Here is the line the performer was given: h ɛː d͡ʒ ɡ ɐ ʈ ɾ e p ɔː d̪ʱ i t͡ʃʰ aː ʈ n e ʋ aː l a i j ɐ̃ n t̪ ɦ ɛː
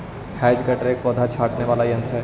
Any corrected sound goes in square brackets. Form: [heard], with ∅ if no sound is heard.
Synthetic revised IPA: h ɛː d͡ʒ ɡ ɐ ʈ ɾ e [k] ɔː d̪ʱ [a] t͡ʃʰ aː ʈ n e ʋ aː l a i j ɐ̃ n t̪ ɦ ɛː